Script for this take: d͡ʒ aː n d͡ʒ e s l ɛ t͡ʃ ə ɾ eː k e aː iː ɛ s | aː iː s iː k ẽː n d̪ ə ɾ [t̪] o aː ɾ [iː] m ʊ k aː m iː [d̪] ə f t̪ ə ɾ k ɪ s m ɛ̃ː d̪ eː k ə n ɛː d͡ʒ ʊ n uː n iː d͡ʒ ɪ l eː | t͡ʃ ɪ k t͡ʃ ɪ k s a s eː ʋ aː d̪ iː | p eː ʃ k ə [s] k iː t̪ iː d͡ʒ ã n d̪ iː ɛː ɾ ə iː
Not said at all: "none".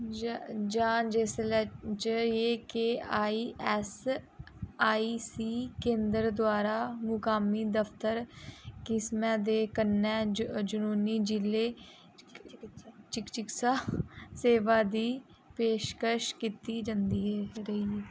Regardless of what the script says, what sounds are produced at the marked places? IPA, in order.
d̪, aː, d̪, ʃ

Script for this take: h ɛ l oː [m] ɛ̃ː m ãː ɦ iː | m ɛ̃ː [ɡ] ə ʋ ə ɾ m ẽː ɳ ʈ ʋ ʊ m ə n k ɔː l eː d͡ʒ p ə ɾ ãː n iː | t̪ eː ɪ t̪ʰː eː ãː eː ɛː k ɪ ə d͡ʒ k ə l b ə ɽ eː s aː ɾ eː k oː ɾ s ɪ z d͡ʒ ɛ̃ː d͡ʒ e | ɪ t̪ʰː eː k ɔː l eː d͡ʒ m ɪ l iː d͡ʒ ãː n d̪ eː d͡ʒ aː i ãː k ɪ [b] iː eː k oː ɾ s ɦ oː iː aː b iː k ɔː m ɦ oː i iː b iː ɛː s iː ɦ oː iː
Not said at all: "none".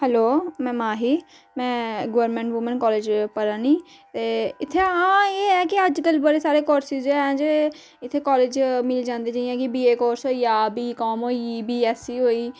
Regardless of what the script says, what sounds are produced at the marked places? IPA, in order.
m, ɡ, b

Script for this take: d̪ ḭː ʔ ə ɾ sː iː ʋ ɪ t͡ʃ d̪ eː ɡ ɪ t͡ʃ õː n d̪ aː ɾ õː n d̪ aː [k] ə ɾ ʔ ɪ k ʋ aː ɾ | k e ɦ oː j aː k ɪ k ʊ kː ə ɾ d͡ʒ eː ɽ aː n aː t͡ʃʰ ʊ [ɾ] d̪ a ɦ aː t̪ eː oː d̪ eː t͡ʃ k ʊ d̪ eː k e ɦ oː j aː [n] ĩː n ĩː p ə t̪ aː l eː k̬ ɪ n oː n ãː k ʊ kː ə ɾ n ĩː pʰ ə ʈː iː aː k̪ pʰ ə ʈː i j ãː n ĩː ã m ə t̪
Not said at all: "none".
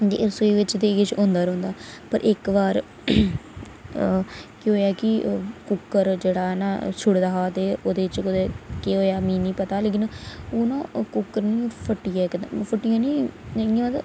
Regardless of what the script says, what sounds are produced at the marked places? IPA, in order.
p, ɽ, m

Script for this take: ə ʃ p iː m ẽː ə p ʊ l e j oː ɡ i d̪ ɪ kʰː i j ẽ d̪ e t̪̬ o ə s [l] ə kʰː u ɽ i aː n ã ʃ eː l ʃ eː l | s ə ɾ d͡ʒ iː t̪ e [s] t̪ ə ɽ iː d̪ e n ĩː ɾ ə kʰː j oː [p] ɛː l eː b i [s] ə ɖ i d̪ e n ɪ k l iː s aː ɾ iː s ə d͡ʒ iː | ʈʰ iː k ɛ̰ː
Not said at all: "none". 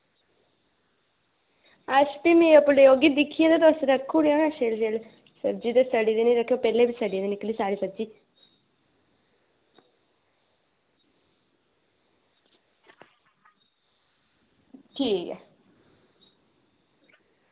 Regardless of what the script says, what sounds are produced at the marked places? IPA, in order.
ɾ, s, p, s

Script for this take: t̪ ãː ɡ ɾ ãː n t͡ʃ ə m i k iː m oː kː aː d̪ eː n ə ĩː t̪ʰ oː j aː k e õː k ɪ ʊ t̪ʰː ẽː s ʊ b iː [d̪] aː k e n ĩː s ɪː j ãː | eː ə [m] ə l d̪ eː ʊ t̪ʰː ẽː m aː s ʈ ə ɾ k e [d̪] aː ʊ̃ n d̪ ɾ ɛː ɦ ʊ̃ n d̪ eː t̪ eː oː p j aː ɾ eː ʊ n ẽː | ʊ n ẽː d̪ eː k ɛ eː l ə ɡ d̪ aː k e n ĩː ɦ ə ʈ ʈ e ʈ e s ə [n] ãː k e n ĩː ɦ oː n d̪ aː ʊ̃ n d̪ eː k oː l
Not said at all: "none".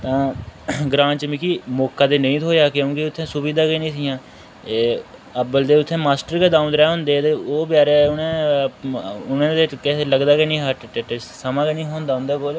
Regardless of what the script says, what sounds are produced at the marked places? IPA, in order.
d̪, b, d̪, m

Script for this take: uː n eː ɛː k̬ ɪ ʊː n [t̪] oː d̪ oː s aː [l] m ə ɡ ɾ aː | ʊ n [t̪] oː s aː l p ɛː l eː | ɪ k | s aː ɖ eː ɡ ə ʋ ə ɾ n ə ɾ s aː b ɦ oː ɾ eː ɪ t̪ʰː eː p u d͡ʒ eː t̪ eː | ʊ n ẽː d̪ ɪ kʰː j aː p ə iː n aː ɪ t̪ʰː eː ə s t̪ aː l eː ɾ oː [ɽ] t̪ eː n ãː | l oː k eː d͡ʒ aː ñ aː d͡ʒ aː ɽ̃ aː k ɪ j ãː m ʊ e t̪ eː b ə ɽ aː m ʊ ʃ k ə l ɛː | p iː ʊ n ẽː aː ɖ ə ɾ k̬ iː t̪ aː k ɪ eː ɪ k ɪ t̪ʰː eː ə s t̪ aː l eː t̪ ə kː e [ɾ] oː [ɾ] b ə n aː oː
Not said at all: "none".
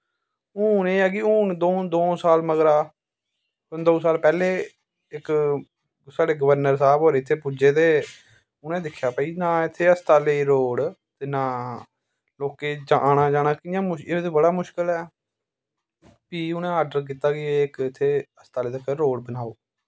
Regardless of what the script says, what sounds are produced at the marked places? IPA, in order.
d̪, l, d̪, ɽ, ɾ, ɽ

